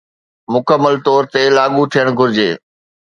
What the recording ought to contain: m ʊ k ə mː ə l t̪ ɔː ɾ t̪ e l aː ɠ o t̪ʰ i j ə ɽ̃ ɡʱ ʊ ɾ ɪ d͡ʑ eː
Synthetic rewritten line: m ʊ k ə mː ə l t̪ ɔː ɾ t̪ e l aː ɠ u t̪ʰ i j ə ɽ̃ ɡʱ ʊ ɾ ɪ d͡ʑ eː